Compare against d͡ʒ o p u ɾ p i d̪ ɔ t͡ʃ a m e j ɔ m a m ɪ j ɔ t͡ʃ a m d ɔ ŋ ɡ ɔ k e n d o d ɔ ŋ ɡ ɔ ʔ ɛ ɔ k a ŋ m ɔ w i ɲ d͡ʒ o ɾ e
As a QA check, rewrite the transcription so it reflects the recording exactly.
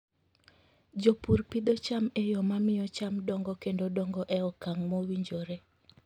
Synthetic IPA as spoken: d͡ʒ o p u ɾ p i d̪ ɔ t͡ʃ a m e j ɔ m a m ɪ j ɔ t͡ʃ a m d ɔ ŋ ɡ ɔ k e n d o d ɔ ŋ ɡ ɔ ʔ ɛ ɔ k a ŋ m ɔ w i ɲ d͡ʒ o ɾ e